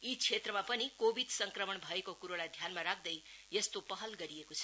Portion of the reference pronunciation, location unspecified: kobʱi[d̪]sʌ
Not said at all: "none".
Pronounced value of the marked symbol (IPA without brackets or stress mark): d̪